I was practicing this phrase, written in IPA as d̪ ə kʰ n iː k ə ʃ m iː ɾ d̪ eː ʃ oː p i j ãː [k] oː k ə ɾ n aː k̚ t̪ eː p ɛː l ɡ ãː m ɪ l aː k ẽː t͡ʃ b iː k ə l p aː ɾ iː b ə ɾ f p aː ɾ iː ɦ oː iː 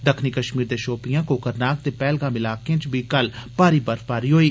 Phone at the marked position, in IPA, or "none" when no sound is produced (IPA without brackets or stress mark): k